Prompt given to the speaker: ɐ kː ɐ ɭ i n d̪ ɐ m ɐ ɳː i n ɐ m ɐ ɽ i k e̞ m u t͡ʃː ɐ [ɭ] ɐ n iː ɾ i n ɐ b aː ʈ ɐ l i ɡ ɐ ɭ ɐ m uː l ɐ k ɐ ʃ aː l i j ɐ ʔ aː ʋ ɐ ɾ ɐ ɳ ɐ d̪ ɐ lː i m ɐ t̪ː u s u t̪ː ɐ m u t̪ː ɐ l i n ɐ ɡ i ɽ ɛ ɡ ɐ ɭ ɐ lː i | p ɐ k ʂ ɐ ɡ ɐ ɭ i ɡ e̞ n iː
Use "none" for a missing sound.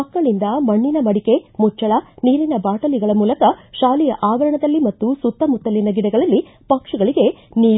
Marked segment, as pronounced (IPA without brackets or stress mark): ɭ